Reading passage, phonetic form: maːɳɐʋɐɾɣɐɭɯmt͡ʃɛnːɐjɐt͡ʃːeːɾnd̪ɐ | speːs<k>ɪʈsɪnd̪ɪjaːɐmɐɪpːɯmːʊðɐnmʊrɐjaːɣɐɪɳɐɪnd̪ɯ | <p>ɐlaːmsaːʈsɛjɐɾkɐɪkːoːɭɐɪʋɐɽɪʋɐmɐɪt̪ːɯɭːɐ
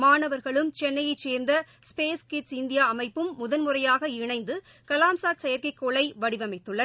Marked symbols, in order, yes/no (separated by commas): yes, no